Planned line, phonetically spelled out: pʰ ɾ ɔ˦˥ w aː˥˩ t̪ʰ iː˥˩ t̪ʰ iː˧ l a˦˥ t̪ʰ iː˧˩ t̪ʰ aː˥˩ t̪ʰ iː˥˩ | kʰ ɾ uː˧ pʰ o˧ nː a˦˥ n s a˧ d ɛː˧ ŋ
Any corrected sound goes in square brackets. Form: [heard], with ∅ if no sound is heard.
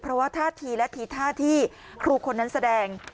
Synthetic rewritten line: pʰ ɾ ɔ˦˥ w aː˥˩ t̪ʰ [aː˥˩] t̪ʰ iː˧ l [ɛ˦˥] t̪ʰ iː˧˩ t̪ʰ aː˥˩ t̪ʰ iː˥˩ | kʰ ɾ uː˧ [kʰ] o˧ nː a˦˥ n s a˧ d ɛː˧ ŋ